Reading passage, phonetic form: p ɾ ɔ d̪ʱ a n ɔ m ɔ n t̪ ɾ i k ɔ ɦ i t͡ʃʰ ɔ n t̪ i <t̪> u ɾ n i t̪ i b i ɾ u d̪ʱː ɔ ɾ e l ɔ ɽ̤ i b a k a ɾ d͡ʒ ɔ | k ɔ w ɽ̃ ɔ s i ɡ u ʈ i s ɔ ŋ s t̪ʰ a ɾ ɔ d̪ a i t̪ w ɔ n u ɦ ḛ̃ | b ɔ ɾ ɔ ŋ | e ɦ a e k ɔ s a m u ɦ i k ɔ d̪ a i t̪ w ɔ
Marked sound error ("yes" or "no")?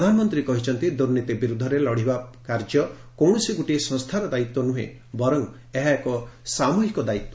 yes